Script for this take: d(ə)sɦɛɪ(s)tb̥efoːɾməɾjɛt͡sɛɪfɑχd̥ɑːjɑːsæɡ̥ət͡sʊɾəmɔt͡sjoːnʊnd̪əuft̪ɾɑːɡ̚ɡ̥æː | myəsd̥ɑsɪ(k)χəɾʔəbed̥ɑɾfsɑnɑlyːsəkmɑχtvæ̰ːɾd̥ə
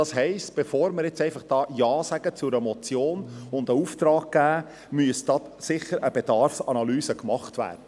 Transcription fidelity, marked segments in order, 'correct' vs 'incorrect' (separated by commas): incorrect, correct, incorrect